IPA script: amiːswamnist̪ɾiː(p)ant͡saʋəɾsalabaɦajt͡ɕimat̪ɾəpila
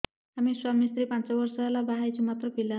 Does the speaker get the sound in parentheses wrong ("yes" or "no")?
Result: no